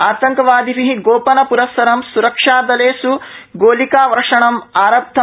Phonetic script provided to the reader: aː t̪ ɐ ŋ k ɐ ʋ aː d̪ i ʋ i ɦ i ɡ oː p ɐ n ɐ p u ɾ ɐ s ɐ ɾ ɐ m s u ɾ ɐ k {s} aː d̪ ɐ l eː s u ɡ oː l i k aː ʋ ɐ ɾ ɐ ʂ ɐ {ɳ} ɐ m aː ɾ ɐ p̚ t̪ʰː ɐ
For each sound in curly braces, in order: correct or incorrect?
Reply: incorrect: ʂ, correct

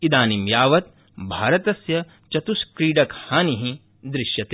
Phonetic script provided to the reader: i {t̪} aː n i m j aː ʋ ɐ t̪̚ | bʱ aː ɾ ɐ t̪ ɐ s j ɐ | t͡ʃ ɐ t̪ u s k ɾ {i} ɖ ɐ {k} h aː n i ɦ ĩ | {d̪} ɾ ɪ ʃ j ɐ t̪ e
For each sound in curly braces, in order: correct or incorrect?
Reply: incorrect: d̪, incorrect: iː, correct, correct

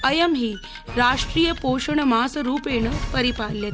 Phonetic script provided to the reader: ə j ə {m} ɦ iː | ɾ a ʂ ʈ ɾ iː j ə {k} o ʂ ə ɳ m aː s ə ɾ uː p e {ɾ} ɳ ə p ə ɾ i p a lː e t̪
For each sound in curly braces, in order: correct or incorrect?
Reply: correct, incorrect: p, incorrect: none

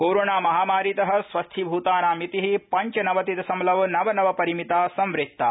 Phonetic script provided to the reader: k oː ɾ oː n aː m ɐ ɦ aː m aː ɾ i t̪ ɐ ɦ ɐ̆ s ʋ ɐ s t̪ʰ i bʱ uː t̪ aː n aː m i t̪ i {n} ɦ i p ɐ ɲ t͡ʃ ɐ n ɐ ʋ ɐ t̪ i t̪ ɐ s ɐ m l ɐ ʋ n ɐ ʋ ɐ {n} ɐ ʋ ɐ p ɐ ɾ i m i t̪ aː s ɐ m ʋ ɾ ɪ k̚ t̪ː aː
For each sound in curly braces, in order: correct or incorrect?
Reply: incorrect: none, correct

